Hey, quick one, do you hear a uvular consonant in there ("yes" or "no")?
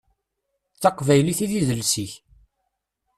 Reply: yes